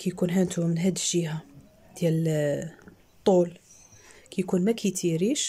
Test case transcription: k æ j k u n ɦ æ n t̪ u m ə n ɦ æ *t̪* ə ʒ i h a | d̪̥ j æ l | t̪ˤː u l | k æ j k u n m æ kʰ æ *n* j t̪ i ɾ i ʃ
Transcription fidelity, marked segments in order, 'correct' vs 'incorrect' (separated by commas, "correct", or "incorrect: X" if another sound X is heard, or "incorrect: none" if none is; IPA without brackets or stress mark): incorrect: d̪, incorrect: none